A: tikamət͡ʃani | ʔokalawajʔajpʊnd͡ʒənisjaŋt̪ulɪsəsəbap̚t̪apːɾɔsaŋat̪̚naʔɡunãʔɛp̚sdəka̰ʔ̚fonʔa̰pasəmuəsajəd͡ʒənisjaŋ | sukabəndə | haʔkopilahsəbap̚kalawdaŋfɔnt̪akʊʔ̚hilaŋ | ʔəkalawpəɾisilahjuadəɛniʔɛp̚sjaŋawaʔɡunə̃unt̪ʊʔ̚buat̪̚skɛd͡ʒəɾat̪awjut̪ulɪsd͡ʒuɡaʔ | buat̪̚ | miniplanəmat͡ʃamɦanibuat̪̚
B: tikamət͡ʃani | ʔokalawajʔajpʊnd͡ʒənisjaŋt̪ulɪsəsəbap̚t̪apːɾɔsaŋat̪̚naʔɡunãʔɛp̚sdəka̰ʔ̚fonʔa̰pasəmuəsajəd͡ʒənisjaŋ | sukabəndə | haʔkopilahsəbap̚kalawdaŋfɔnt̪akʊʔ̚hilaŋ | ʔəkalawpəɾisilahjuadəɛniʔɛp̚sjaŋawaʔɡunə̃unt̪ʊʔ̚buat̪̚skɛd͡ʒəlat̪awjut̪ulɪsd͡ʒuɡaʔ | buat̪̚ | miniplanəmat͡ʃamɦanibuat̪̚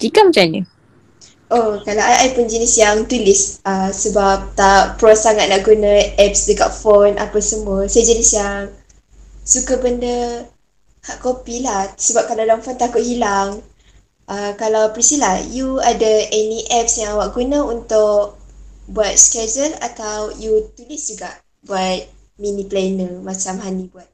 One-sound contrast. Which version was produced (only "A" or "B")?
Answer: B